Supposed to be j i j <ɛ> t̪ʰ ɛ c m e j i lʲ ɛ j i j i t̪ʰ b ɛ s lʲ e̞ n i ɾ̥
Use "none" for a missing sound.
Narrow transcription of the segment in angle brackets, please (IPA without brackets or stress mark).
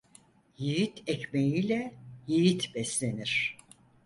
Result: i